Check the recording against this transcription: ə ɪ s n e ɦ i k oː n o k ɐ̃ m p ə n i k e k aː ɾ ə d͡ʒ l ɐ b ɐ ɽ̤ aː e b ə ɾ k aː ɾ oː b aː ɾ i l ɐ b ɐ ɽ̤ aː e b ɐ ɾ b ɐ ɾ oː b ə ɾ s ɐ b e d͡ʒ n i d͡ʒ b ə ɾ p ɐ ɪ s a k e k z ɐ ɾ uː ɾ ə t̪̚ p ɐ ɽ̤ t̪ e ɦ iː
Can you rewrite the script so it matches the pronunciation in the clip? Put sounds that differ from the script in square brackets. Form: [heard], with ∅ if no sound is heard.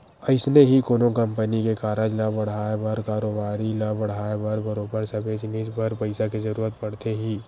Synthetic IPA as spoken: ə ɪ s n e ɦ i k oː n o k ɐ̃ m p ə n i k e k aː ɾ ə d͡ʒ l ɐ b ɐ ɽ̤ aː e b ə ɾ k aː ɾ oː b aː ɾ i l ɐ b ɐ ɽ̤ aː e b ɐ ɾ b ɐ ɾ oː b ə ɾ s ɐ b e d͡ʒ n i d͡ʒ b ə ɾ p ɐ ɪ s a k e [∅] z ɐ ɾ uː ɾ ə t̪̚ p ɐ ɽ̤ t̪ e ɦ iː

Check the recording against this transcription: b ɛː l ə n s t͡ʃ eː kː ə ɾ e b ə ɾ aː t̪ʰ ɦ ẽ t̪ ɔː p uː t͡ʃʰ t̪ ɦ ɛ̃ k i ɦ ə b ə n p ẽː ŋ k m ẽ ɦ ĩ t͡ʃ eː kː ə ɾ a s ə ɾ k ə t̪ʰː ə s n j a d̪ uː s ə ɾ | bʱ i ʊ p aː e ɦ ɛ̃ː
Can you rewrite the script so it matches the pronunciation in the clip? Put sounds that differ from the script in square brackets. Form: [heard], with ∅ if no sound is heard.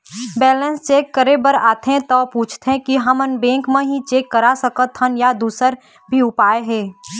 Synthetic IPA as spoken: b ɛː l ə n s t͡ʃ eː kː ə ɾ e b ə ɾ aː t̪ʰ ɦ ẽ t̪ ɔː p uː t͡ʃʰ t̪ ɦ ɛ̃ k i ɦ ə [m] ə n [b] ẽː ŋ k m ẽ ɦ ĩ t͡ʃ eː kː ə ɾ a s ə [∅] k ə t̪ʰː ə [∅] n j a d̪ uː s ə ɾ | bʱ i ʊ p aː e ɦ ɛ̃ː

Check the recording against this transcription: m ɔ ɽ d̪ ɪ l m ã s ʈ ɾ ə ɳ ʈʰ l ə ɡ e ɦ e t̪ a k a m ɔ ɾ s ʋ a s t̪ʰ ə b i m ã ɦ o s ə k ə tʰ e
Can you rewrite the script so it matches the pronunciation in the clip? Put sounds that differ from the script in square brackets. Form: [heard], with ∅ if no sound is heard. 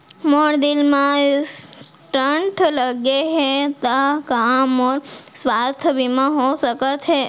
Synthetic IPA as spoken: m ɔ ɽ d̪ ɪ l m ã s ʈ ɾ ə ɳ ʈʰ l ə ɡ e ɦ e t̪ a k a m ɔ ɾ s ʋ a s t̪ʰ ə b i m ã ɦ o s ə k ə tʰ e

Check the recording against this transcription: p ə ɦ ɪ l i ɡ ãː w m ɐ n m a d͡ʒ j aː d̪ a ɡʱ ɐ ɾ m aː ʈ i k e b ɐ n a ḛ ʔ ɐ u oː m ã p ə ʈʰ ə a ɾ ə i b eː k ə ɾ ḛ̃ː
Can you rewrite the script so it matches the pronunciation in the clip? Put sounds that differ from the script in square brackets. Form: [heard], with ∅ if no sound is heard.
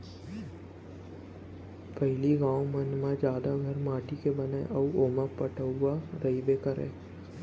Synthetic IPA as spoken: p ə ɦ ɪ l i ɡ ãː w m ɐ n m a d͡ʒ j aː d̪ a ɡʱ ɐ ɾ m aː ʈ i k e b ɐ n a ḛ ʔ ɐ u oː m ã p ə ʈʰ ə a ɾ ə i b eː k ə ɾ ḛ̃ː

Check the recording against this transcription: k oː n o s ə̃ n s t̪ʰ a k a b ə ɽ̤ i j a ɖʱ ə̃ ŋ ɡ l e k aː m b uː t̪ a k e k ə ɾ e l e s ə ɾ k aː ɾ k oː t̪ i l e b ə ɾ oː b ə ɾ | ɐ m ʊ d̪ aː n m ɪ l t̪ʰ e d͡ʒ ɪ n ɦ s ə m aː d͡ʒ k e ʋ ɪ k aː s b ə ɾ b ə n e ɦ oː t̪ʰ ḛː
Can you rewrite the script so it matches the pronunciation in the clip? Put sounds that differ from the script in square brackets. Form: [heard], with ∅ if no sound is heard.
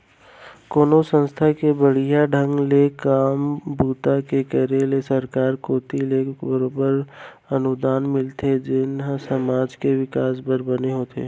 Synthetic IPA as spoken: k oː n o s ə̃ n s t̪ʰ a k [e] b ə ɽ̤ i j a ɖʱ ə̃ ŋ ɡ l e k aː m b uː t̪ a k e k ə ɾ e l e s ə ɾ k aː ɾ k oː t̪ i l e b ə ɾ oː b ə ɾ | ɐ [n] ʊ d̪ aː n m ɪ l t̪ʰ e d͡ʒ ɪ n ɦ s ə m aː d͡ʒ k e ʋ ɪ k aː s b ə ɾ b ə n e ɦ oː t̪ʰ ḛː

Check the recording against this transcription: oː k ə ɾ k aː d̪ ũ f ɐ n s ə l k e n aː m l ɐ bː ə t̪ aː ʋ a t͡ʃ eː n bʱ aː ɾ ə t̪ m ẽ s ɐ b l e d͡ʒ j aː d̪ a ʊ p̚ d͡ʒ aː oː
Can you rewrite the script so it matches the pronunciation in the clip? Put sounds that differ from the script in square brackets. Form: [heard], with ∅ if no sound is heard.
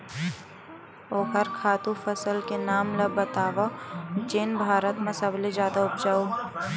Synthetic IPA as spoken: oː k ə ɾ [kʰ] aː [t̪] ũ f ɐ [∅] s ə l k e n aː m l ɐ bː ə t̪ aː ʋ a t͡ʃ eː n bʱ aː ɾ ə t̪ m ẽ s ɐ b l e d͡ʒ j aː d̪ a ʊ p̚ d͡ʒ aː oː

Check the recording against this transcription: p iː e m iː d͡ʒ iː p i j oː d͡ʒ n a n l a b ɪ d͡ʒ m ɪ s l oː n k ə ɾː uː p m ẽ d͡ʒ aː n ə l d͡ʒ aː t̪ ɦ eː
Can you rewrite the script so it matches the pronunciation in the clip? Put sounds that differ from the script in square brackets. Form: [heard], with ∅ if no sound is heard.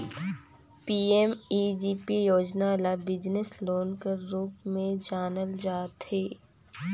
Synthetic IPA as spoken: p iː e m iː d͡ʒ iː p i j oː d͡ʒ n a [∅] l a b ɪ d͡ʒ [n] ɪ s l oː n k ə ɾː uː p m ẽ d͡ʒ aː n ə l d͡ʒ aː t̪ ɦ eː

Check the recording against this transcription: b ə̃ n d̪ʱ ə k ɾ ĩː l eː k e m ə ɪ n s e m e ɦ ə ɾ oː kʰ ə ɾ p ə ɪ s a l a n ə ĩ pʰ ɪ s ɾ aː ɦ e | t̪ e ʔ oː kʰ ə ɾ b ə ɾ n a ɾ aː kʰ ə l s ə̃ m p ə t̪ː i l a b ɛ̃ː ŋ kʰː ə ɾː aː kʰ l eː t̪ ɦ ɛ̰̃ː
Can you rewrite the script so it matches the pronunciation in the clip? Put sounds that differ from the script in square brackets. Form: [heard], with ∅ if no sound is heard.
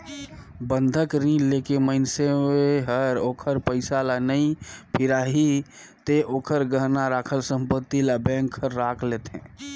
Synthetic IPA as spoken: b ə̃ n d̪ʱ ə k ɾ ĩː l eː k e m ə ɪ n s e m e ɦ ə ɾ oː kʰ ə ɾ p ə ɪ s a l a n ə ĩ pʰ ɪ [∅] ɾ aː ɦ [i] | t̪ e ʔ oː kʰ ə ɾ [ɡ] ə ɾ n a ɾ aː kʰ ə l s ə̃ m p ə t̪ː i l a b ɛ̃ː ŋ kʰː ə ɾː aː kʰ l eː t̪ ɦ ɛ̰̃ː

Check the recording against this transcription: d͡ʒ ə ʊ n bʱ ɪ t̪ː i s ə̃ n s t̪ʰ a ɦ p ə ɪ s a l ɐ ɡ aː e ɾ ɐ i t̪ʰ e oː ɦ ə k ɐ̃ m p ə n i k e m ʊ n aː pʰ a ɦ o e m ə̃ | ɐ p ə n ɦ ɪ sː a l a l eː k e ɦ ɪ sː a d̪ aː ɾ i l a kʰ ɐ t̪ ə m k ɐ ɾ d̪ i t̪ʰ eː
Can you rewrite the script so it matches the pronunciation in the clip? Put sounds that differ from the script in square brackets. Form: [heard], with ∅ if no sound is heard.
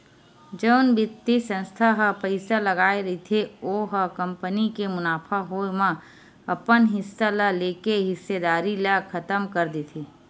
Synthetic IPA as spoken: d͡ʒ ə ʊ n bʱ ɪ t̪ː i s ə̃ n s t̪ʰ a ɦ p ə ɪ s a l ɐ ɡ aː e ɾ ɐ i t̪ʰ e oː ɦ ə k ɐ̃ m p ə n i k e m ʊ n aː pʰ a ɦ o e m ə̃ | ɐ p ə n ɦ ɪ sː a l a l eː k e ɦ ɪ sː [e] d̪ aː ɾ i l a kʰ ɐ t̪ ə m k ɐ ɾ d̪ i t̪ʰ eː

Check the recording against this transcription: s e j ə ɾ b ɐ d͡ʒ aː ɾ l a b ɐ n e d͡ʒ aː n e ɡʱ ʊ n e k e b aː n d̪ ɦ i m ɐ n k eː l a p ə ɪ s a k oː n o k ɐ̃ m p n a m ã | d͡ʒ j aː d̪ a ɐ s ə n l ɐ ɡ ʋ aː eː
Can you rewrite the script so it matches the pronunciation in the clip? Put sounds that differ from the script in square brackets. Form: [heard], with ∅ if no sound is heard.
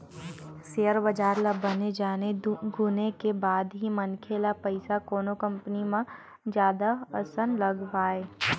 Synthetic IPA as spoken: s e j ə ɾ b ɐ d͡ʒ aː ɾ l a b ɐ n e d͡ʒ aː n e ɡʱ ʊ n e k e b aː [∅] d̪ ɦ i m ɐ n [kʰ] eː l a p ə ɪ s a k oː n o k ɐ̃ m p n [i] m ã | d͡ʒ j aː d̪ a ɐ s ə n l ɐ ɡ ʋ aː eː

